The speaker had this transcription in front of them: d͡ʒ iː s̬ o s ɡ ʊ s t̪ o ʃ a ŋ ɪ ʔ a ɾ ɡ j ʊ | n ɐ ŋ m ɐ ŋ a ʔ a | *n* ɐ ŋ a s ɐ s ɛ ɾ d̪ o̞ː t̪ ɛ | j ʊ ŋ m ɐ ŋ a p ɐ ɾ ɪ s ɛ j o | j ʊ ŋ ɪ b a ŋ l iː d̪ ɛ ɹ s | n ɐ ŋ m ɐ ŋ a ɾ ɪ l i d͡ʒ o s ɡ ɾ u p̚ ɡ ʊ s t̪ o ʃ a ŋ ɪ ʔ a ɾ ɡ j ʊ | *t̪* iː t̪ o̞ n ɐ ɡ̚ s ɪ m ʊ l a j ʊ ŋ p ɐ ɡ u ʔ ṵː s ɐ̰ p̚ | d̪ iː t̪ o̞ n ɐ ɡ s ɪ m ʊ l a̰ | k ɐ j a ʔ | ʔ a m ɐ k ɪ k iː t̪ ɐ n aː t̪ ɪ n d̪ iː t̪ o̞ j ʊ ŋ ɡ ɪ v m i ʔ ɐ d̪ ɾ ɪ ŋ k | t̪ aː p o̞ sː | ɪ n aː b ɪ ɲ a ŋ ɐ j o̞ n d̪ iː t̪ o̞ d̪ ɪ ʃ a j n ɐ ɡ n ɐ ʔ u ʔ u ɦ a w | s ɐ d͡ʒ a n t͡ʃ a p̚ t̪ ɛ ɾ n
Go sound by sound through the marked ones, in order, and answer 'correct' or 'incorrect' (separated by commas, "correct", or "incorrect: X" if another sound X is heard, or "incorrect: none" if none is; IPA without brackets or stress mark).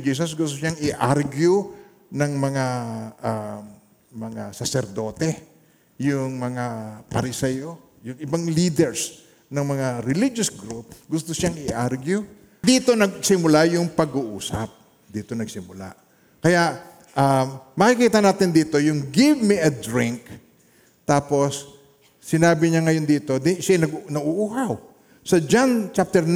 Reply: incorrect: m, incorrect: d̪